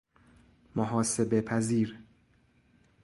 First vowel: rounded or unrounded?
rounded